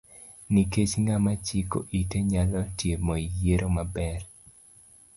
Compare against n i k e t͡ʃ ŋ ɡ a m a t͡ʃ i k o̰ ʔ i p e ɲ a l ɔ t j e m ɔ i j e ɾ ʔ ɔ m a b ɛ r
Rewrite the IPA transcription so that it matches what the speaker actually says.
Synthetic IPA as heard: n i k e t͡ʃ ŋ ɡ a m a t͡ʃ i k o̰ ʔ i t e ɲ a l ɔ t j e m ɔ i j e ɾ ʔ o m a b ɛ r